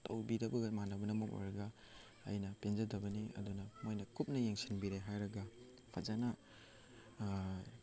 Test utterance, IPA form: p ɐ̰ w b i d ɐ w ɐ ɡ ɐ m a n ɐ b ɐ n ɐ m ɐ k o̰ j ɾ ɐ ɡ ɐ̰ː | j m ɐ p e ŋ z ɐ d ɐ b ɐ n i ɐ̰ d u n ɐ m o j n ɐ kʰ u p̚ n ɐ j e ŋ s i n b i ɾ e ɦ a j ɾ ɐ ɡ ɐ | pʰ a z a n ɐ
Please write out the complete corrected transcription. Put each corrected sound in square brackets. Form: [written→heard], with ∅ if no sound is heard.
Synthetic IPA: [p→t] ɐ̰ w b i d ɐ [w→b] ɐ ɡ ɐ m a n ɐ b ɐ n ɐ m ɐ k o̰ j ɾ ɐ ɡ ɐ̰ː | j [m→n] ɐ p e [ŋ→n] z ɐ d ɐ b ɐ n i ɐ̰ d u n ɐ m o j n ɐ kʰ u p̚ n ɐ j e ŋ s i n b i ɾ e ɦ a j ɾ ɐ ɡ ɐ | pʰ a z a n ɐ